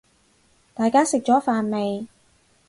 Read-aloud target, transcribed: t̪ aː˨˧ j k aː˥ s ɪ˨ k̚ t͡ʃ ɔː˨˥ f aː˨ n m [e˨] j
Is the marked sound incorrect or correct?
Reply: correct